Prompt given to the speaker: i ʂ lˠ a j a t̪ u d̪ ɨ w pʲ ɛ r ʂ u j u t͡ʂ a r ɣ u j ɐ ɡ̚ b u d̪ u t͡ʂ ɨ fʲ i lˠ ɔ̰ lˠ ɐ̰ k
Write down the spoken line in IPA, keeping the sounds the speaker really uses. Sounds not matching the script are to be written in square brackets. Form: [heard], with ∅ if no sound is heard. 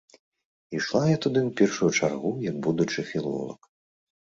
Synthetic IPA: i ʂ lˠ a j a t̪ u d̪ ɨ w pʲ ɛ r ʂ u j u t͡ʂ a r ɣ u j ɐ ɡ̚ b u d̪ u t͡ʂ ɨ fʲ i lˠ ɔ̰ lˠ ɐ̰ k